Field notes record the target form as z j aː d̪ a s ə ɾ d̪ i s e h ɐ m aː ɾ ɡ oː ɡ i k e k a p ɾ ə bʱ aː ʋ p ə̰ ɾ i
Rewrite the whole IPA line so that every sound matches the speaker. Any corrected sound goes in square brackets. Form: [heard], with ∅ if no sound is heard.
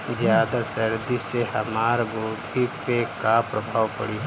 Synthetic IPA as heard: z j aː d̪ a s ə ɾ d̪ i s e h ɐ m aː ɾ ɡ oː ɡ i [p] e k a p ɾ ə bʱ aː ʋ p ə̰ [ɽ] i